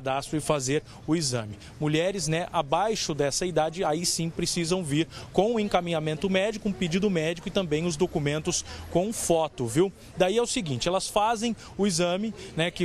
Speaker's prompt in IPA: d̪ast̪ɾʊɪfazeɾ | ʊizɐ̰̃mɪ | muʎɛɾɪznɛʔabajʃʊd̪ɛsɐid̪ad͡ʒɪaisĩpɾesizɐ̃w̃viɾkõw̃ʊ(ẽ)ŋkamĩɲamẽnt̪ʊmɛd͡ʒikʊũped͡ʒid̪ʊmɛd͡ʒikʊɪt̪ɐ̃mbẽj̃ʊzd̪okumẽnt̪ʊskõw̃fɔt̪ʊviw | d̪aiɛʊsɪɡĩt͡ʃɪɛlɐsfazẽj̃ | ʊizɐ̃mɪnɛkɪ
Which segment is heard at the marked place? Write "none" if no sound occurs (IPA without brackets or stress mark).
ẽ